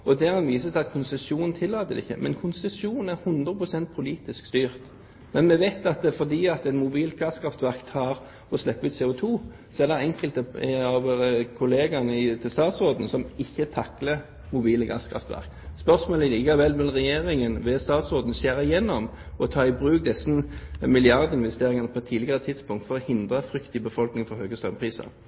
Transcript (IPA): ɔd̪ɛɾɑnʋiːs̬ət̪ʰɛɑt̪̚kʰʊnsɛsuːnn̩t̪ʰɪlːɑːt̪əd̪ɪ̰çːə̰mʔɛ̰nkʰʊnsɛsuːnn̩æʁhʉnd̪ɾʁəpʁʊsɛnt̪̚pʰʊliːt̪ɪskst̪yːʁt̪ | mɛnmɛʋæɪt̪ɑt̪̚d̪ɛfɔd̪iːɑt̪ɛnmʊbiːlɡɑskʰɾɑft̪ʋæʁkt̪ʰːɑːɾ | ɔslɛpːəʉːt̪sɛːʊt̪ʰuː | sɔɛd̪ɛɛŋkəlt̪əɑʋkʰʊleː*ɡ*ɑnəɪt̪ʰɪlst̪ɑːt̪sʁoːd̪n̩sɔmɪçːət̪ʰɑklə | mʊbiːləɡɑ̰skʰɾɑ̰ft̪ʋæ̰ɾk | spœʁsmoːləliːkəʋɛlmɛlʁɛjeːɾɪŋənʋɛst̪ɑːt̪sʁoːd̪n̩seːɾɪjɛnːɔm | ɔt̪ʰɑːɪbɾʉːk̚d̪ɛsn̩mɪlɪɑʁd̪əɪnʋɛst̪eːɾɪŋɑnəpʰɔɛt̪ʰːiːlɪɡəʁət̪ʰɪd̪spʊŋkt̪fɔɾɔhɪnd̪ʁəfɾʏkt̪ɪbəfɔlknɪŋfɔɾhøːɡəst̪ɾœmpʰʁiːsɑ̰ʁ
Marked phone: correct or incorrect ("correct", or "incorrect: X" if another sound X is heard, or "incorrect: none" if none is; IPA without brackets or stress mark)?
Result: correct